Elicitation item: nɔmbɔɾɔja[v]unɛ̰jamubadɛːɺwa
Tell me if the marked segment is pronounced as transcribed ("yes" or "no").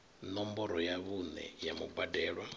no